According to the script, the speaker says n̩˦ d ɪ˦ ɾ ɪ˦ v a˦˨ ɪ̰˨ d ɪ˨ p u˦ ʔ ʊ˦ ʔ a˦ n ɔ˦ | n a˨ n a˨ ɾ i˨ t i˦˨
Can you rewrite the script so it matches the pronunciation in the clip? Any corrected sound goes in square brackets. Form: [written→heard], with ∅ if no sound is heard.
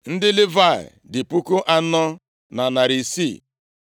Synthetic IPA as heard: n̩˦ d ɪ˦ [ɾ→l] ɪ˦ v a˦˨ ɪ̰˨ d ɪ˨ p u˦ [ʔ→k] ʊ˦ ʔ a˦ n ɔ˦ | n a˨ n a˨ ɾ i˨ [t→s] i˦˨